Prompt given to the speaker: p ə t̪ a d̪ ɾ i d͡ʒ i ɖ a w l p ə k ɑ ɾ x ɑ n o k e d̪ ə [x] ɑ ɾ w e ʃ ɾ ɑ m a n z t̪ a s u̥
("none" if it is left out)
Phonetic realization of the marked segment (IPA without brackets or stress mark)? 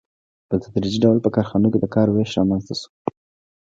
k